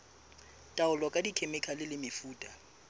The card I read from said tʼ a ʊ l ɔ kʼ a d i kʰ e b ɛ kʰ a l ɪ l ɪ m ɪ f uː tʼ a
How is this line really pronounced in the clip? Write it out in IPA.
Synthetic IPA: tʼ a ʊ l ɔ kʼ a d i kʰ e m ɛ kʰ a l ɪ l ɪ m ɪ f uː tʼ a